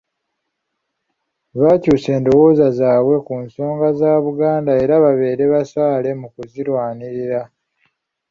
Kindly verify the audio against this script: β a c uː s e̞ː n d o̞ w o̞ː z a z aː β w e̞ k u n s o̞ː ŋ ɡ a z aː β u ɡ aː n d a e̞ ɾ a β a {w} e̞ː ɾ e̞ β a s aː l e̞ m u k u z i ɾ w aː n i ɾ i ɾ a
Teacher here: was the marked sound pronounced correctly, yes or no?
no